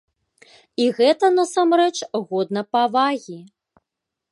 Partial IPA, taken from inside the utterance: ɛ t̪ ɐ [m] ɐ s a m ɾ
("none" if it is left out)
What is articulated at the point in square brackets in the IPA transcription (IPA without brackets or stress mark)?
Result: n